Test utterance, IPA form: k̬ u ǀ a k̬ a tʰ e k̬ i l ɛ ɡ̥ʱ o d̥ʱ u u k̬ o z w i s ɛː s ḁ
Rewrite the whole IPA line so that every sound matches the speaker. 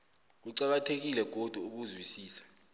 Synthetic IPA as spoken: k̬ u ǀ a k̬ a tʰ e k̬ i l ɛ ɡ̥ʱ o d̥ʱ u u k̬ u z w i s iː s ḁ